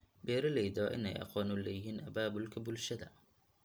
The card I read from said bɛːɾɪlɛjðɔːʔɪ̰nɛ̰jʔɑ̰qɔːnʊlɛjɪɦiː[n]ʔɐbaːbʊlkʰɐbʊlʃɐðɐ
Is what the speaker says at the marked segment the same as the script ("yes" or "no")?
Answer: yes